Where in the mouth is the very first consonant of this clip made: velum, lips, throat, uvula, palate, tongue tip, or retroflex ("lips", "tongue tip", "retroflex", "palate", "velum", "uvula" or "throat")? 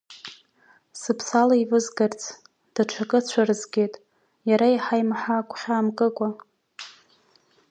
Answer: tongue tip